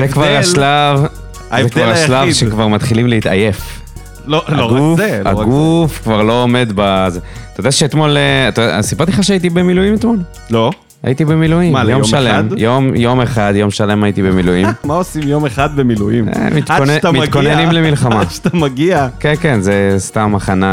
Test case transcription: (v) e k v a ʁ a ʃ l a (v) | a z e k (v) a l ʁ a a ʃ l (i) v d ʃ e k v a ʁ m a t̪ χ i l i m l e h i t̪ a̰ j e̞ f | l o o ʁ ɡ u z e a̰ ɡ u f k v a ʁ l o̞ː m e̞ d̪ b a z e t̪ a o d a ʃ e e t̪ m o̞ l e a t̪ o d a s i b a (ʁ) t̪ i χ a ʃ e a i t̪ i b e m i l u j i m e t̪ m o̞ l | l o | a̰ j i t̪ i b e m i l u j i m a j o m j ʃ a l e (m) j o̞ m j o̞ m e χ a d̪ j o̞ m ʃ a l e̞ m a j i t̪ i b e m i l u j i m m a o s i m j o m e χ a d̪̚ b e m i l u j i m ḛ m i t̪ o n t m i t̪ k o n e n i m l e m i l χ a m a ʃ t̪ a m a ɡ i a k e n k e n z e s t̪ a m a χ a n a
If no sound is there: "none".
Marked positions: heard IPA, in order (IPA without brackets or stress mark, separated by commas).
z, v, v, a, ʁ, m